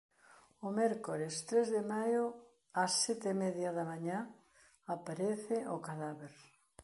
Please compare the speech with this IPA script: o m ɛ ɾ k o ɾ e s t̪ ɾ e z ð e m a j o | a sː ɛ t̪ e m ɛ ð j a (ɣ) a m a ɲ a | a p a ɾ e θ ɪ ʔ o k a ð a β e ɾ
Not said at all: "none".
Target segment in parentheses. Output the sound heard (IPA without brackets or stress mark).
ð